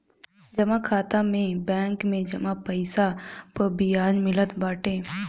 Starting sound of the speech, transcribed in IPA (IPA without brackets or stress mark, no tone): d͡ʒ